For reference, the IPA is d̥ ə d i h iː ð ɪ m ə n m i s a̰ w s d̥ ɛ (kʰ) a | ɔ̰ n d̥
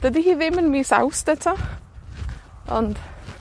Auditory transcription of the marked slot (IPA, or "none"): tʰ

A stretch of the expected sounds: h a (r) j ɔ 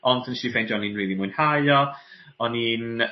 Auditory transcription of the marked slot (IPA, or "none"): none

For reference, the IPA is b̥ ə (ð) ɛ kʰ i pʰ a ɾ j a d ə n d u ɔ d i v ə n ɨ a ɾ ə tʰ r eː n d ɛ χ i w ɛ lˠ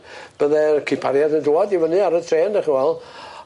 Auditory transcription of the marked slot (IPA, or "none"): ð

